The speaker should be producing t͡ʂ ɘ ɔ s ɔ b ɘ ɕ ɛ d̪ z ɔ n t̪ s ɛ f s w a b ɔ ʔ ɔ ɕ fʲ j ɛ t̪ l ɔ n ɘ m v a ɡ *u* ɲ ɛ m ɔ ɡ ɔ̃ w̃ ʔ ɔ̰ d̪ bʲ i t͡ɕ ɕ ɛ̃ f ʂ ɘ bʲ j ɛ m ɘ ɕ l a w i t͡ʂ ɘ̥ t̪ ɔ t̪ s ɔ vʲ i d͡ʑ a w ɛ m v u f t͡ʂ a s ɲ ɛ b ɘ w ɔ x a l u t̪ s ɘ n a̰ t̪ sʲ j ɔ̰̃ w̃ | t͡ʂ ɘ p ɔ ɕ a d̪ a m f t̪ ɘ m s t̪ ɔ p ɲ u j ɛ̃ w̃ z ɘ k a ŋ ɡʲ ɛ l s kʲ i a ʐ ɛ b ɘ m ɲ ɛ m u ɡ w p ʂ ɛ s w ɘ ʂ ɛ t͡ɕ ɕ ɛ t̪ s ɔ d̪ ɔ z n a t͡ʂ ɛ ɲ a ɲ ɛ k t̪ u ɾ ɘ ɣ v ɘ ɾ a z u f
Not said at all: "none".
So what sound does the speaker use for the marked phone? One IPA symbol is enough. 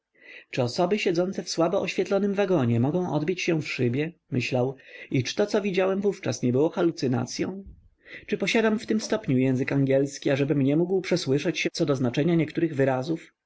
ɔ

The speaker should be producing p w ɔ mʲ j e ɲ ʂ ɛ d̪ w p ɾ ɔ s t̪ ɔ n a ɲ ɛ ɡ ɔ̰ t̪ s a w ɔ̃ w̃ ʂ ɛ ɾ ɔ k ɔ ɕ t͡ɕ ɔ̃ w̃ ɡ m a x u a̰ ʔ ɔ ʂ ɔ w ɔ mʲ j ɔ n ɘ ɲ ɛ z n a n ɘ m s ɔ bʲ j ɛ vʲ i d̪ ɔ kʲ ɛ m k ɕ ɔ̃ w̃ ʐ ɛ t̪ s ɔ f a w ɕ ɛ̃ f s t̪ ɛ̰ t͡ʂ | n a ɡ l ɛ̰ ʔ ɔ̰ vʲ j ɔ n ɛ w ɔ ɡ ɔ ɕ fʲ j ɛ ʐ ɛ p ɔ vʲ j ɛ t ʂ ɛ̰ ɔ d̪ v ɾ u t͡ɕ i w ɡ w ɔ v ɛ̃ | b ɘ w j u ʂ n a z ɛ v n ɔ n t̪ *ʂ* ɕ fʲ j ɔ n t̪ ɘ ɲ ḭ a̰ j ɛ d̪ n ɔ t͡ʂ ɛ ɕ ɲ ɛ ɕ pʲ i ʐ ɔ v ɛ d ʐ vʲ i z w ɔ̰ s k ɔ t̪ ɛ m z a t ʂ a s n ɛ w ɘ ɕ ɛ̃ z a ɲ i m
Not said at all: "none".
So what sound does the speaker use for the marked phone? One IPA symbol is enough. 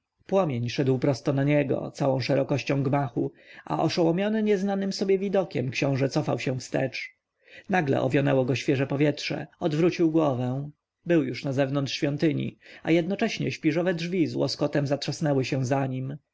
ʂ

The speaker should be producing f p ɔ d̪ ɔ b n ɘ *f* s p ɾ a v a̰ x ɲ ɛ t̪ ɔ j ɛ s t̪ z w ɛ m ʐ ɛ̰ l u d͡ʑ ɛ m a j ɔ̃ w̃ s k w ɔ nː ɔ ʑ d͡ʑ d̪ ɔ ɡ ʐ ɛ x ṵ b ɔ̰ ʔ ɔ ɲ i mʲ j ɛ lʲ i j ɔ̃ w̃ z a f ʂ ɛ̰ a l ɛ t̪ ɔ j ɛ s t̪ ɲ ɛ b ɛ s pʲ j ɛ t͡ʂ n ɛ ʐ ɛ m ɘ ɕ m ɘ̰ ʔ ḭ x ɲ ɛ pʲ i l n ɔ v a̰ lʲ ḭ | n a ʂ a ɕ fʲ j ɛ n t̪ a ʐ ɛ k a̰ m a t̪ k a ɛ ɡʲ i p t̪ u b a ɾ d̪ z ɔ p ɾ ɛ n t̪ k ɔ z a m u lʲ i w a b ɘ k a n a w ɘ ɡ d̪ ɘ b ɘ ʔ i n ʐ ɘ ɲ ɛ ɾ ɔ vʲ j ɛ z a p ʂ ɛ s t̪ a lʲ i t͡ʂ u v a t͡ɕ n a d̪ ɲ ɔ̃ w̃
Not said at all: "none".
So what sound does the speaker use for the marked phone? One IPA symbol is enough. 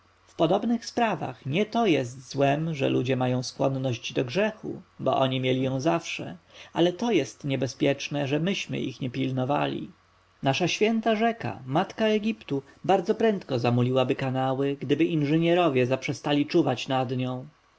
x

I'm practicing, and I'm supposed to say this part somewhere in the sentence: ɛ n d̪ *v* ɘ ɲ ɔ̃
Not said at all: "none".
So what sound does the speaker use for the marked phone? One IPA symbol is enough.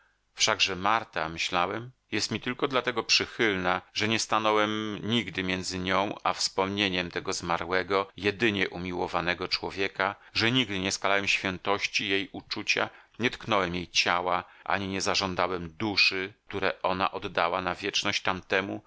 z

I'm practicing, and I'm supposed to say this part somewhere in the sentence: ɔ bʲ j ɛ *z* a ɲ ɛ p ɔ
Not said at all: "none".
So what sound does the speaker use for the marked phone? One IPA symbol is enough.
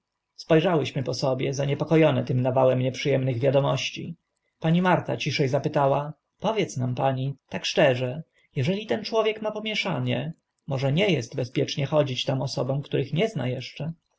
z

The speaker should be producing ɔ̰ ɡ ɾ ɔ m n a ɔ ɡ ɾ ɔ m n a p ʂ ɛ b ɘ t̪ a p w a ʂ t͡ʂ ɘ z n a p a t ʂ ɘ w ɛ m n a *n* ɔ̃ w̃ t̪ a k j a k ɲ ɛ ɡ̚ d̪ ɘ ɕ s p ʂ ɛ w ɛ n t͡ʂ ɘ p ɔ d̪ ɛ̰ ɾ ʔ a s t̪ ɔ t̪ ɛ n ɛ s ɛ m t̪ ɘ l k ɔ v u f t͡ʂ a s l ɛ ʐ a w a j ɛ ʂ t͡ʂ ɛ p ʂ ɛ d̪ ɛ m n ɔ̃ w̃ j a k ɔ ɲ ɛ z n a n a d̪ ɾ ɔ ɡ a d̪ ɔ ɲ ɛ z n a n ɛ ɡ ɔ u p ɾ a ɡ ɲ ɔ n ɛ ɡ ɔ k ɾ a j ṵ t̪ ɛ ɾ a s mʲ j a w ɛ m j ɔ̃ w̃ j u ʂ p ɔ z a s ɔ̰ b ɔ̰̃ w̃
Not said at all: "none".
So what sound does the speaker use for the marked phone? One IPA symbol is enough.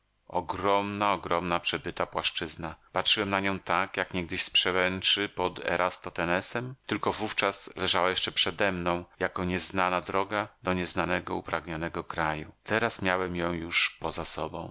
ɲ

